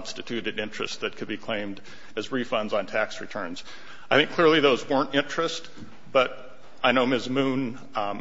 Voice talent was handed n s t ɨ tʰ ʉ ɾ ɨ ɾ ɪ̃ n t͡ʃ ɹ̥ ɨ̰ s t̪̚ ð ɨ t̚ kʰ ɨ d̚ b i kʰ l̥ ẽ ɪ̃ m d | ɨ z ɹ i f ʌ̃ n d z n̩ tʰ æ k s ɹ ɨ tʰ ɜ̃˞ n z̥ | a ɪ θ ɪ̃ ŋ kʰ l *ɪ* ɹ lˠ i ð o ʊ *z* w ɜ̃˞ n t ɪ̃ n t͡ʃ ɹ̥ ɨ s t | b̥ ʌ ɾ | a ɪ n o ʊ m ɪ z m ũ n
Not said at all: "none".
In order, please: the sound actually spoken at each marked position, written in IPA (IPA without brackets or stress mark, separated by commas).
ɪ, z